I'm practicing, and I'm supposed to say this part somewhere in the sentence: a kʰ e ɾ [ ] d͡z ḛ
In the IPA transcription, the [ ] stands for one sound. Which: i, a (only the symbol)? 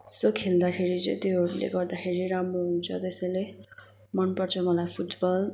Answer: i